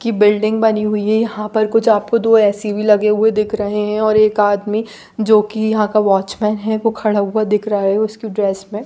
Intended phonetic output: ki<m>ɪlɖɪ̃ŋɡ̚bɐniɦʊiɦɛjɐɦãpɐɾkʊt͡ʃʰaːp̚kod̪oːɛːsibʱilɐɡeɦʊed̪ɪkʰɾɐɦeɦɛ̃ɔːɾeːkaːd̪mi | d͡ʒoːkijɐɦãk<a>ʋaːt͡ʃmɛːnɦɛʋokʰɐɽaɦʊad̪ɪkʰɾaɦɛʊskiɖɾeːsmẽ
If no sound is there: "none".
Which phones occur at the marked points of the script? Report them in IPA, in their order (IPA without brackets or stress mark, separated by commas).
b, a